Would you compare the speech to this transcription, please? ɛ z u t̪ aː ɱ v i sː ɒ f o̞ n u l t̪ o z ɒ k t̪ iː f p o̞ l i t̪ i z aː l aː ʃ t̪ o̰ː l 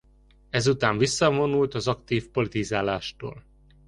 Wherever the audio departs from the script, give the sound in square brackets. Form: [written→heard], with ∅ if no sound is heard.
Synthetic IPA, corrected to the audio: ɛ z u t̪ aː ɱ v i sː ɒ [f→v] o̞ n u l t̪ [o→ɒ] z ɒ k t̪ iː f p o̞ l i t̪ i z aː l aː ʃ t̪ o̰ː l